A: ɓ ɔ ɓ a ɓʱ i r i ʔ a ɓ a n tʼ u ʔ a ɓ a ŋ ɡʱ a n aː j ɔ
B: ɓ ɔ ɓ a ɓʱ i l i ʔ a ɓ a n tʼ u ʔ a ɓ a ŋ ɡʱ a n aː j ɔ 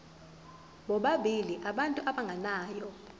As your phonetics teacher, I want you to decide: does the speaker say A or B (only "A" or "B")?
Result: B